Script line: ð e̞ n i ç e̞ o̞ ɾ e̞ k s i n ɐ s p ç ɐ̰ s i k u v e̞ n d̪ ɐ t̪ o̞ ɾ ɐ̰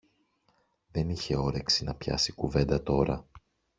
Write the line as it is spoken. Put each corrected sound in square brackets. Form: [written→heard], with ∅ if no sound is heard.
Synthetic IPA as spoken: ð e̞ n i ç e̞ o̞ ɾ e̞ k s i n ɐ [s→∅] p ç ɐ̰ s i k u v e̞ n d̪ ɐ t̪ o̞ ɾ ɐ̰